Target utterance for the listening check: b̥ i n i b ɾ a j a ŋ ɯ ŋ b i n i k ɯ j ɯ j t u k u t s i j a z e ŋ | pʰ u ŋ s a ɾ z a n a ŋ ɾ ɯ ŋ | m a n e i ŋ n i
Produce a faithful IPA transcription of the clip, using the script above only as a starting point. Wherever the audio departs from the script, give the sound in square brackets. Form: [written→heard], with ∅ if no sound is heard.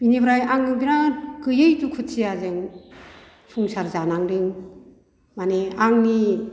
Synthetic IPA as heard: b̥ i n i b ɾ a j a ŋ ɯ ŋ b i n [i→a] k ɯ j ɯ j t u [k→kʰ] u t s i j a z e ŋ | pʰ u ŋ s a ɾ z a n a ŋ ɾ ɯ ŋ | m a n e [i→a] ŋ n i